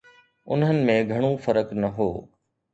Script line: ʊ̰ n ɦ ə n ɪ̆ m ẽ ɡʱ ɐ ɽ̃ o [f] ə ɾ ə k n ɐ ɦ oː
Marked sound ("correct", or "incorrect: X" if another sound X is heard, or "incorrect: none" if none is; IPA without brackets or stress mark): correct